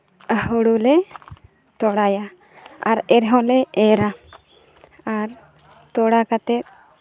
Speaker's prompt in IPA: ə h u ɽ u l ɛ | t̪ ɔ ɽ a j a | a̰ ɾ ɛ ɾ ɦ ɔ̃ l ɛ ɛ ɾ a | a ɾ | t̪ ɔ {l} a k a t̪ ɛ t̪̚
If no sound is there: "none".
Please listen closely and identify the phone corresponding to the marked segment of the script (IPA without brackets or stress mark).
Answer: ɽ